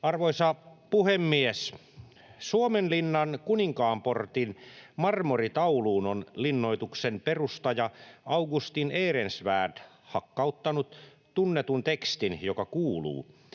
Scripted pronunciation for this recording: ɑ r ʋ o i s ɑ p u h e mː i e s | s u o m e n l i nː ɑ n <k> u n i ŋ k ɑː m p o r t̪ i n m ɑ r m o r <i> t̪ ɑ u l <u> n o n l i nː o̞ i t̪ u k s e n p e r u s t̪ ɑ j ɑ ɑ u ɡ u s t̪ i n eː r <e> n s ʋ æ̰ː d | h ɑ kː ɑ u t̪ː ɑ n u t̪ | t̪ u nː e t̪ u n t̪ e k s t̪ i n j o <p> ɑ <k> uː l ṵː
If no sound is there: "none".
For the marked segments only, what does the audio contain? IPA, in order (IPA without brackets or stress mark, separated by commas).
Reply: k, i, uː, e, k, k